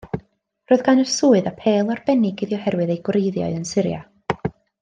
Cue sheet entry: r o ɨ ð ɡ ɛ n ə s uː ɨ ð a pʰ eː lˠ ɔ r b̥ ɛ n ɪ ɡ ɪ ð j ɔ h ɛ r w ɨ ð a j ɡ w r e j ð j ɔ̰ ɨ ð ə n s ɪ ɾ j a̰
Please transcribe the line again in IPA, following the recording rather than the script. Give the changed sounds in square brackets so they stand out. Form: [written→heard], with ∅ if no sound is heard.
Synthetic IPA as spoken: r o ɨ ð ɡ [ɛ→a] n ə s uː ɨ ð a pʰ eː lˠ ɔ r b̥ ɛ n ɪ ɡ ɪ ð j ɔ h ɛ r w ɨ ð [a→e] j ɡ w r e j ð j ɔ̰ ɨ ð ə n s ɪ ɾ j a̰